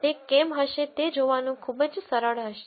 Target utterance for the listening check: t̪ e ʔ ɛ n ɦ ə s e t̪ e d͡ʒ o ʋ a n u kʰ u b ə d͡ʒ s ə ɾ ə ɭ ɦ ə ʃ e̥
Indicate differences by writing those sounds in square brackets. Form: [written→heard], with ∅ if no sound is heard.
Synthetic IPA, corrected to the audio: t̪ e [ʔ→k] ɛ [n→m] ɦ ə [s→ʃ] e t̪ e d͡ʒ o ʋ a n [u→ũ] kʰ u b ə d͡ʒ s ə ɾ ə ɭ ɦ ə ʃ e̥